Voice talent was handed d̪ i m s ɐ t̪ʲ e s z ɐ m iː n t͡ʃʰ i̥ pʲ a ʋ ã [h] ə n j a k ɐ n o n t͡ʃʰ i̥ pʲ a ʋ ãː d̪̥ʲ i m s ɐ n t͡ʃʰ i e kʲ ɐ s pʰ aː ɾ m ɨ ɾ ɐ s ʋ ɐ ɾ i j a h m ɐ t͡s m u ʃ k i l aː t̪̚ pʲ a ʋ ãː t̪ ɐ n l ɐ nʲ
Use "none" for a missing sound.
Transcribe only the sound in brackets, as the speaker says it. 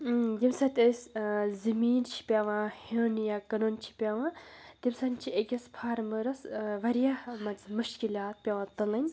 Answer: h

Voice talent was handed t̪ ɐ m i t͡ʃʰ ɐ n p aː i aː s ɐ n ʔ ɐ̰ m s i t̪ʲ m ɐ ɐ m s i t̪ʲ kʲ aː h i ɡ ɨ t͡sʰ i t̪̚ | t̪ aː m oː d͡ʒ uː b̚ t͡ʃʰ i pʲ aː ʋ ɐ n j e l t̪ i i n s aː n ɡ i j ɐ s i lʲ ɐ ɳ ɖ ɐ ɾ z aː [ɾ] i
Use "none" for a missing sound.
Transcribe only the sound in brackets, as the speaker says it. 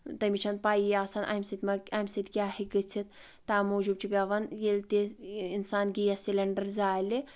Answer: l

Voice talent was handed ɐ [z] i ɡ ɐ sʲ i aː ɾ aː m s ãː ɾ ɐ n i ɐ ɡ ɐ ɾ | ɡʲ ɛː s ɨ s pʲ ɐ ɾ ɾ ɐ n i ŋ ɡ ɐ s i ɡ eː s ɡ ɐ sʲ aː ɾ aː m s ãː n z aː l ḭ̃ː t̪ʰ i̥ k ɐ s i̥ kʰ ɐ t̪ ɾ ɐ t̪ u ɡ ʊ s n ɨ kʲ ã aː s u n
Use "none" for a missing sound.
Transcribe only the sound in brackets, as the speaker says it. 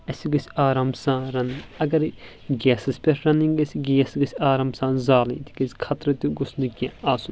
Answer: s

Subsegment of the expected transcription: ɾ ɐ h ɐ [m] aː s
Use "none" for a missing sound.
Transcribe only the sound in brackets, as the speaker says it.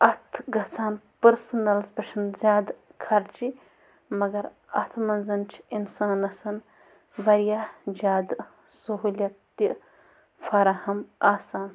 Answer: m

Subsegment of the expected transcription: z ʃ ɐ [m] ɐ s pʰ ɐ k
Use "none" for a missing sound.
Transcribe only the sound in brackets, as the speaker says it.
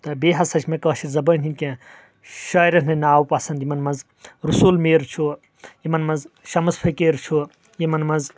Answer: m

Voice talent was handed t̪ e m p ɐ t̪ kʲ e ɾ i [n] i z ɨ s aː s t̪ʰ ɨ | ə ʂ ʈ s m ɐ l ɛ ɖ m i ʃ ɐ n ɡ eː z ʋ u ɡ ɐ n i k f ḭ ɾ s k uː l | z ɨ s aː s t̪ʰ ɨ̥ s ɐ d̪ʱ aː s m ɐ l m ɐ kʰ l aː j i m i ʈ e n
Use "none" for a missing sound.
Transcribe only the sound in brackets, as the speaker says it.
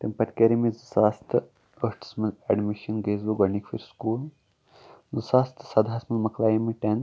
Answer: m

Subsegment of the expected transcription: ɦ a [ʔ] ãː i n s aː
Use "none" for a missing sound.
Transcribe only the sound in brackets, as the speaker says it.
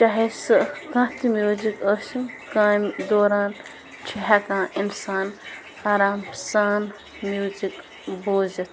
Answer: k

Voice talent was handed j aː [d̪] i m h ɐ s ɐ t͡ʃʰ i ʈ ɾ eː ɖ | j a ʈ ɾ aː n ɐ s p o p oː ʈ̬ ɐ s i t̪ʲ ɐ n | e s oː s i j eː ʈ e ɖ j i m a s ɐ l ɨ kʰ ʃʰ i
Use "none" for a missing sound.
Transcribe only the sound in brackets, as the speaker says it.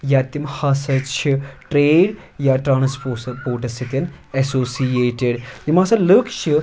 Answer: t̪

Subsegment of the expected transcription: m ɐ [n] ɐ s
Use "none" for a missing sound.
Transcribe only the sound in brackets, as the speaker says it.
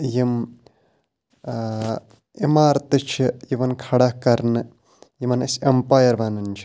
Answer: n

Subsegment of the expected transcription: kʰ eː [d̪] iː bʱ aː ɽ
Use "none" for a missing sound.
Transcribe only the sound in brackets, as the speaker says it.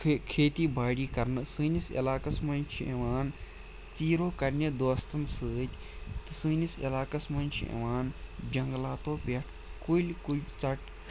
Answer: t̪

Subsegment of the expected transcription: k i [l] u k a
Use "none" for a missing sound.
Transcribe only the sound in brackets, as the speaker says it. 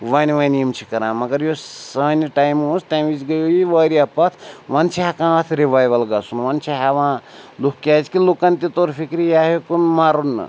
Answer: l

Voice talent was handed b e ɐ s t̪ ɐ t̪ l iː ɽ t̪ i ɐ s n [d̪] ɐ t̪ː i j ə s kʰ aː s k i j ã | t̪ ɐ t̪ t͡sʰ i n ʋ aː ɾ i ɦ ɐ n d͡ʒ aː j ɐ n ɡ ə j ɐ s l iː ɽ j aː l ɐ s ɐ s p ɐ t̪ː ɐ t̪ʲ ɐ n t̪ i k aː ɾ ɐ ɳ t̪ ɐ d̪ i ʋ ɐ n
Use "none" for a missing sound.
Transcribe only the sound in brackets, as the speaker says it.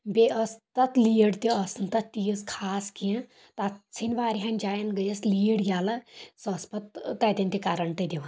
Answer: t̪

